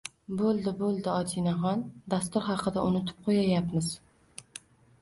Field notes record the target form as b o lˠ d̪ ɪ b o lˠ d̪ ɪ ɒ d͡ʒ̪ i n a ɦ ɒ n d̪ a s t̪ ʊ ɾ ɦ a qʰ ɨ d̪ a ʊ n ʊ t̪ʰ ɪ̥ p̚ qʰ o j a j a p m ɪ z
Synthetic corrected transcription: b o lˠ d̪ ɪ b o lˠ d̪ ɪ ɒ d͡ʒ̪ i n a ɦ ɒ n d̪ a s t̪ ʊ ɾ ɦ ɑ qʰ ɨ d̪ a ʊ n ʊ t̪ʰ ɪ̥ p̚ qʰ o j a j a p m ɪ z